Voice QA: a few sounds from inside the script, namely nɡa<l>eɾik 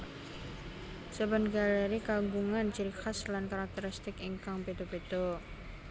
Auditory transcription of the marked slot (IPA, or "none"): l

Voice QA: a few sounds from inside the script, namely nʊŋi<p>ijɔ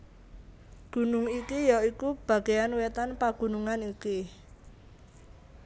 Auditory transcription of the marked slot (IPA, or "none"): k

